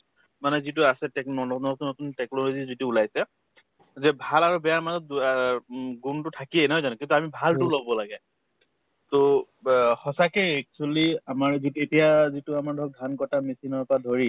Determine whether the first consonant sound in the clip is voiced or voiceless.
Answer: voiced